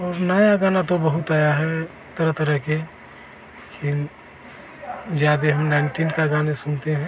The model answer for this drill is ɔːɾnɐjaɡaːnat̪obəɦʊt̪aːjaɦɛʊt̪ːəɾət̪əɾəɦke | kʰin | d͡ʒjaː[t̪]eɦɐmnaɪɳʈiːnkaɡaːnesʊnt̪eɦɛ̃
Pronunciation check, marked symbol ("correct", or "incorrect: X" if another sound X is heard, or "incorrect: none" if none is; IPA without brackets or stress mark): incorrect: d̪